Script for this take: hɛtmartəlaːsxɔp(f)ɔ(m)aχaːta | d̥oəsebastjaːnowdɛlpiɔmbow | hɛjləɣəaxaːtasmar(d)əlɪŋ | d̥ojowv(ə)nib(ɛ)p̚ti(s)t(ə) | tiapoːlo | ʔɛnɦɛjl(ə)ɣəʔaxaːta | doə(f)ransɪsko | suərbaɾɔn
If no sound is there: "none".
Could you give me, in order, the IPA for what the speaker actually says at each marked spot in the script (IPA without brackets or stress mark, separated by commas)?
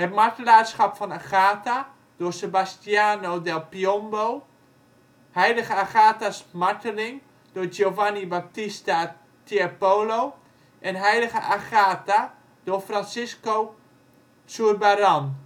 f, n, t, a, a, s, a, ə, f